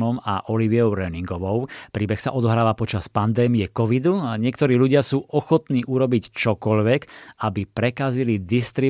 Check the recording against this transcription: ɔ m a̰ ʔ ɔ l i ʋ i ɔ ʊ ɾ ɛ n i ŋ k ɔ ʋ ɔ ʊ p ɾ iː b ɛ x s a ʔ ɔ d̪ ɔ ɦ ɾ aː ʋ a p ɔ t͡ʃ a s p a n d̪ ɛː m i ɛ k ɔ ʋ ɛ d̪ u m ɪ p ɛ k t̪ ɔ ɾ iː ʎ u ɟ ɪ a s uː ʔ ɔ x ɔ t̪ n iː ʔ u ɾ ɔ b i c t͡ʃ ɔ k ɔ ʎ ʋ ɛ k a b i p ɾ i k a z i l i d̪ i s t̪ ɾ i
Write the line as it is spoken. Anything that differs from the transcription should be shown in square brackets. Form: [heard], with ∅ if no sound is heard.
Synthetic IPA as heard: ɔ m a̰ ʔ ɔ l i ʋ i ɔ ʊ ɾ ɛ n i ŋ [ɡ] ɔ ʋ ɔ ʊ p ɾ iː b ɛ x s a ʔ ɔ d̪ ɔ ɦ ɾ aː ʋ a p ɔ t͡ʃ a s p a n d̪ ɛː m i ɛ k ɔ ʋ [i] d̪ u [ɲ] ɪ [∅] ɛ k t̪ ɔ ɾ iː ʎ u ɟ ɪ a s uː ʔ ɔ x ɔ t̪ n iː ʔ u ɾ ɔ b i c t͡ʃ ɔ k ɔ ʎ ʋ ɛ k a b i p ɾ [ɛ] k a z i l i d̪ i s t̪ ɾ i